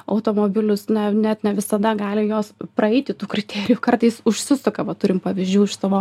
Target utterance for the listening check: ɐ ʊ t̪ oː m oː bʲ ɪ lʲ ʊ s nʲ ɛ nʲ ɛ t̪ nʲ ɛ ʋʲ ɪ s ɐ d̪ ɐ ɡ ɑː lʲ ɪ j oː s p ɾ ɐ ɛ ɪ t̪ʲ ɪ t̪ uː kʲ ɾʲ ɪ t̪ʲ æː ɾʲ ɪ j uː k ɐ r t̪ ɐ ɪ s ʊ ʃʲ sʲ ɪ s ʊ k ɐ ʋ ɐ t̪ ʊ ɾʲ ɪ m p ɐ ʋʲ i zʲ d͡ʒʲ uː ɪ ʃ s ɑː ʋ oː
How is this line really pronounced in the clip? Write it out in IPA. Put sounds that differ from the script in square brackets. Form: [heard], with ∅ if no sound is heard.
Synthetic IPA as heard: ɐ ʊ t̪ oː m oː bʲ ɪ lʲ ʊ s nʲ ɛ nʲ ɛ t̪ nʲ ɛ ʋʲ ɪ s ɐ d̪ ɐ ɡ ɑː lʲ ɪ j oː s p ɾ ɐ ɛ ɪ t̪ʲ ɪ t̪ uː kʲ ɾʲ ɪ t̪ʲ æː ɾʲ ɪ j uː k ɐ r t̪ ɐ ɪ s ʊ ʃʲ sʲ ɪ s ʊ k ɐ ʋ ɐ t̪ ʊ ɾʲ ɪ m p ɐ ʋʲ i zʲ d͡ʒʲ uː ɪ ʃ s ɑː ʋ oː